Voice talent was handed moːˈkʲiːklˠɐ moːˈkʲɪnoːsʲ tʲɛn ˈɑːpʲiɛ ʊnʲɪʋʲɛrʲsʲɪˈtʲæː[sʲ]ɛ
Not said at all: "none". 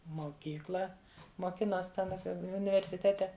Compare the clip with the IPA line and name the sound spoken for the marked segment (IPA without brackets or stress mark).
tʲ